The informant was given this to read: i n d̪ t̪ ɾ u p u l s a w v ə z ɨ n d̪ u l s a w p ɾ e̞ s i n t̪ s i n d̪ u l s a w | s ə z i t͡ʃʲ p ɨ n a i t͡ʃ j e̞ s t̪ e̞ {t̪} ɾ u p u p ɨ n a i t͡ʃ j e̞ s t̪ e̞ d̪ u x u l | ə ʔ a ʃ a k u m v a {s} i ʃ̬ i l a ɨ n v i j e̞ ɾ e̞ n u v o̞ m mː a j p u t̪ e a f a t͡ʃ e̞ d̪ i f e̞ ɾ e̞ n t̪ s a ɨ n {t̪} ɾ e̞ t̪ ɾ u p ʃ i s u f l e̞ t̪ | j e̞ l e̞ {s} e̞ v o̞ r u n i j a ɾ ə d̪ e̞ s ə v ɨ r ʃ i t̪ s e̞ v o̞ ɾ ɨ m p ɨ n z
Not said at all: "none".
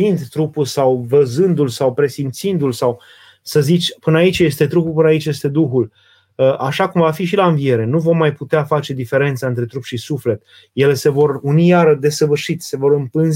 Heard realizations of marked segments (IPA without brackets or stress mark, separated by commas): t̪, f, t̪, s